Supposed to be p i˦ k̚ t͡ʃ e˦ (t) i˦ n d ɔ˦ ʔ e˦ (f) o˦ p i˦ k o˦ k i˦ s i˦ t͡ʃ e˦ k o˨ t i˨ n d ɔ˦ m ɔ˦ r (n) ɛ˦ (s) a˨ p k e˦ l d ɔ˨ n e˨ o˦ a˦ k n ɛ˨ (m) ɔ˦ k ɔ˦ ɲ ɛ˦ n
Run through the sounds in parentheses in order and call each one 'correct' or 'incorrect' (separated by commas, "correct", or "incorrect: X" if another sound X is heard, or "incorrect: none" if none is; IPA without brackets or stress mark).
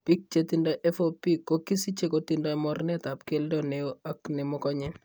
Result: correct, correct, correct, incorrect: t, correct